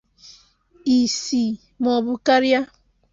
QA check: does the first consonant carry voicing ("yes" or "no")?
no